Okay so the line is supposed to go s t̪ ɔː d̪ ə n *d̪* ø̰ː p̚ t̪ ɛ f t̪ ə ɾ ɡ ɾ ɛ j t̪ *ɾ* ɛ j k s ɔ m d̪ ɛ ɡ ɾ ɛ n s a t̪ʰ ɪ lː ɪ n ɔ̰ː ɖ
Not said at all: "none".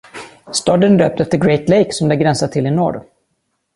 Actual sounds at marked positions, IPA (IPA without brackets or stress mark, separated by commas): d̪, l